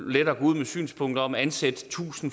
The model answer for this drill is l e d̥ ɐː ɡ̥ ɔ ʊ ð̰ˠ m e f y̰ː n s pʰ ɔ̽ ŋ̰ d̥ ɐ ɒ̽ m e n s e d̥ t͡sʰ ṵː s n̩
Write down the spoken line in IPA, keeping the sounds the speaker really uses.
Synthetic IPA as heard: l e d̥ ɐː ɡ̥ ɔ u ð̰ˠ m e s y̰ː n s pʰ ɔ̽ ŋ̰ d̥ ɐ ɒ̽ m æ n s e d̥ t͡sʰ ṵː s n̩